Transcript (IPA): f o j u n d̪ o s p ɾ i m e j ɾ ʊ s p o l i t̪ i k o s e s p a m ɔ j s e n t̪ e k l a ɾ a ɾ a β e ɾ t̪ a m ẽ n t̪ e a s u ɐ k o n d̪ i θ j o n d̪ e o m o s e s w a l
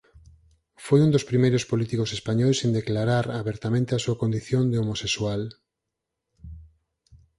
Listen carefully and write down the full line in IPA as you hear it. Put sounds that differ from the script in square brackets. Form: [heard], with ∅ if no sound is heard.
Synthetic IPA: f o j u n d̪ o s p ɾ i m e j ɾ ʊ s p o l i t̪ i k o s e s p a [ɲ] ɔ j s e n [d̪] e k l a ɾ a ɾ a β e ɾ t̪ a m ẽ n t̪ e a s u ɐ k o n d̪ i θ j o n d̪ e o m o s e s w a l